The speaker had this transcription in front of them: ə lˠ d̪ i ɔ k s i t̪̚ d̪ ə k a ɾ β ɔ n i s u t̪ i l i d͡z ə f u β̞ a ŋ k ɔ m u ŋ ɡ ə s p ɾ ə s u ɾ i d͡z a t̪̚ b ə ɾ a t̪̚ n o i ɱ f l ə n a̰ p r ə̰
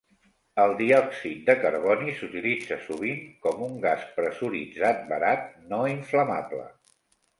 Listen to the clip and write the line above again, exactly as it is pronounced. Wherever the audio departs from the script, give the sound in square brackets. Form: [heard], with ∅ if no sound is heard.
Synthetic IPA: ə lˠ d̪ i ɔ k s i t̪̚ d̪ ə k [ə] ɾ β ɔ n i s u t̪ i l i d͡z ə [s] u β̞ [i] ŋ k ɔ m u ŋ ɡ [a] s p ɾ ə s u ɾ i d͡z a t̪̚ b ə ɾ a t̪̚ n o i ɱ f l ə [m] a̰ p [l] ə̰